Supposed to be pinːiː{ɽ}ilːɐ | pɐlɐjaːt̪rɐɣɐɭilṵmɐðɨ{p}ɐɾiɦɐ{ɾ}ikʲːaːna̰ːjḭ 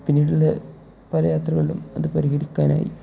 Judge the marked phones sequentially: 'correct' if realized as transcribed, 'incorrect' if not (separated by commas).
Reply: correct, correct, incorrect